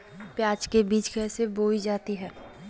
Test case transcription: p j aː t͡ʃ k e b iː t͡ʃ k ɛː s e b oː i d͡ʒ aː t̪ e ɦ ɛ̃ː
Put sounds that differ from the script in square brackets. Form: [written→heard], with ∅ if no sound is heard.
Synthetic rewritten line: p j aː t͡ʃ k e b iː t͡ʃ k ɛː s e b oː i d͡ʒ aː t̪ [e→i] ɦ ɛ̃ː